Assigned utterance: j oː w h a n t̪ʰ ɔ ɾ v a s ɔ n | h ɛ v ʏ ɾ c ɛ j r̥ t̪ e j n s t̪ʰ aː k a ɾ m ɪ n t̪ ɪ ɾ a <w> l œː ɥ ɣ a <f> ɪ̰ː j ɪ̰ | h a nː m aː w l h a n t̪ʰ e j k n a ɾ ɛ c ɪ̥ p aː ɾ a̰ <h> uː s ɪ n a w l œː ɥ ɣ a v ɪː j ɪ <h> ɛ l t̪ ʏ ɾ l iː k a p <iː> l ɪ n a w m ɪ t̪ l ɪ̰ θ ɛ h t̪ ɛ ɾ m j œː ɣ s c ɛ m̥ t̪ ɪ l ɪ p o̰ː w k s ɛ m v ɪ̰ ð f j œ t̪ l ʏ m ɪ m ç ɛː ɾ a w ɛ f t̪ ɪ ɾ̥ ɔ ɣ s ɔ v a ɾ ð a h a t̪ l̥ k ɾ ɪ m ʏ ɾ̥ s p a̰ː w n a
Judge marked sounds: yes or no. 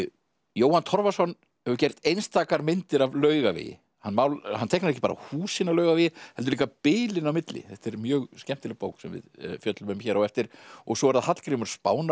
no, no, yes, yes, no

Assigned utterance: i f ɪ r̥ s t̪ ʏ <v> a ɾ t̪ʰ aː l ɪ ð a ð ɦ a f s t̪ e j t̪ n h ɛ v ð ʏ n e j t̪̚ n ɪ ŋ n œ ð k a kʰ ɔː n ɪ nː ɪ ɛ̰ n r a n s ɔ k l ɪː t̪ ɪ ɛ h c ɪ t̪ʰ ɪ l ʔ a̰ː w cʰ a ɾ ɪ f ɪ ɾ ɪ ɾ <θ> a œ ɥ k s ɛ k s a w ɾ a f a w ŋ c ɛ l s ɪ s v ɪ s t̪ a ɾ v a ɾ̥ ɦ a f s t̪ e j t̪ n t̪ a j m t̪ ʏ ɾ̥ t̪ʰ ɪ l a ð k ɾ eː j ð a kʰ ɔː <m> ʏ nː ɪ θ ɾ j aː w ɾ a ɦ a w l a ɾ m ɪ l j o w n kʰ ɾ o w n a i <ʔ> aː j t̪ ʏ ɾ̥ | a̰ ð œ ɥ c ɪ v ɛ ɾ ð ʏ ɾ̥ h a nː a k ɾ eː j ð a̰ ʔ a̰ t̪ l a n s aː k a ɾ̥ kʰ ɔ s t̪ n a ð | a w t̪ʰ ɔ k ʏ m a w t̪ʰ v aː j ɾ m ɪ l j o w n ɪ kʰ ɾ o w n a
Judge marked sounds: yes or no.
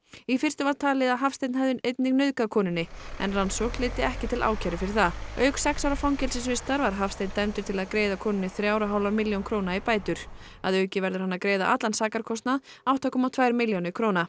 yes, yes, no, no

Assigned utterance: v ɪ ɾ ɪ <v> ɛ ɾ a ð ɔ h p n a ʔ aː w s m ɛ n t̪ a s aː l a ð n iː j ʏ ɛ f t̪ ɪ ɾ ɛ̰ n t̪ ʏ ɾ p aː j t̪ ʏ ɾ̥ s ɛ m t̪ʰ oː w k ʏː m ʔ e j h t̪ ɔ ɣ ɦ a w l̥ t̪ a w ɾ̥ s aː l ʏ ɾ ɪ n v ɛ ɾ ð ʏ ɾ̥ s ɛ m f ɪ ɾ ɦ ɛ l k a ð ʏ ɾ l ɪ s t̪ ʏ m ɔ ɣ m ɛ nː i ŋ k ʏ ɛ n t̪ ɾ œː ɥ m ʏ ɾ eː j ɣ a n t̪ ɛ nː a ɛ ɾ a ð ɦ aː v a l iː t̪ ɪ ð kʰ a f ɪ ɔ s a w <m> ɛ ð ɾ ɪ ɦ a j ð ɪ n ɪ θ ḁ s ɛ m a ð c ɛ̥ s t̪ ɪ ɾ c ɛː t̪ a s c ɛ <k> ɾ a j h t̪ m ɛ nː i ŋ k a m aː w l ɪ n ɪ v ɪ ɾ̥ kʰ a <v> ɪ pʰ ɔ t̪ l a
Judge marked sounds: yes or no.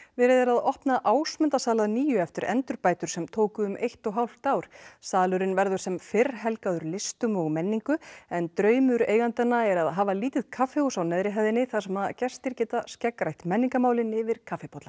no, no, yes, no

